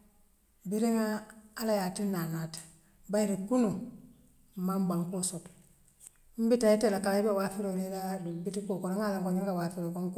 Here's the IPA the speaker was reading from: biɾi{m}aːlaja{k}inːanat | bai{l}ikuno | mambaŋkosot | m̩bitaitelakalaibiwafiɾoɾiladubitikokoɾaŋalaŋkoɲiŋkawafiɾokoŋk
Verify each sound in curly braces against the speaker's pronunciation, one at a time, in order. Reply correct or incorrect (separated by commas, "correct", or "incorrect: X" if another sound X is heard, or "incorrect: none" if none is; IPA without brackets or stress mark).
incorrect: ŋ, incorrect: t, incorrect: ɾ